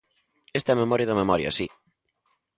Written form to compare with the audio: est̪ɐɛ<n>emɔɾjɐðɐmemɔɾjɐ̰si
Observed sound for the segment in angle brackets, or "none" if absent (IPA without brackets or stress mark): m